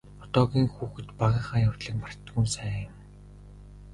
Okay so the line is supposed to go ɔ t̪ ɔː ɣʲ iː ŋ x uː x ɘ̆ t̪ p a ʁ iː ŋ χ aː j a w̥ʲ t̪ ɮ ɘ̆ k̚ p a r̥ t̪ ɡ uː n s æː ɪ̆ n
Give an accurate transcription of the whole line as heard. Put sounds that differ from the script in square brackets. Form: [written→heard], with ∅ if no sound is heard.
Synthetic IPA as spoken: ɔ t̪ ɔː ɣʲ iː ŋ x uː x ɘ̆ t̪ p a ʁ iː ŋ χ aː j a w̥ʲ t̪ ɮ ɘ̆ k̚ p a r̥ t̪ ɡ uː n s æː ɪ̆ [n→m]